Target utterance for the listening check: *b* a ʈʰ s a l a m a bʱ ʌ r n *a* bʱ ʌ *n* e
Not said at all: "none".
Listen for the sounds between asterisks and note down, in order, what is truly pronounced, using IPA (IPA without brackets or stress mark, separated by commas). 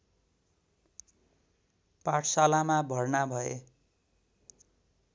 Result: p, a, none